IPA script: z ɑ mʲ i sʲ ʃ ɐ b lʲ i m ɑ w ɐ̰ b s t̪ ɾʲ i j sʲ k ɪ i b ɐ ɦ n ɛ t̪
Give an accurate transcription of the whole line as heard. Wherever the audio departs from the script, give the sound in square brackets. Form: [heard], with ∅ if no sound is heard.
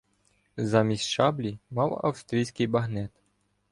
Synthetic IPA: z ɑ mʲ i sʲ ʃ [ɑ] b lʲ i m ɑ w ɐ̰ [w] s t̪ ɾʲ i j sʲ k ɪ [j] b ɐ ɦ n ɛ t̪